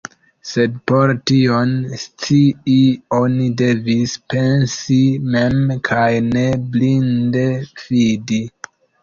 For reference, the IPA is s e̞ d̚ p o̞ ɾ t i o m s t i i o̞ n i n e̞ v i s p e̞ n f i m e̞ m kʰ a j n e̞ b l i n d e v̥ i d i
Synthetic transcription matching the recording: s e̞ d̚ p o̞ ɾ t i o n s t͡s i i o̞ n i d e̞ v i s p e̞ n s i m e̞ m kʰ a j n e̞ b l i n d e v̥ i d i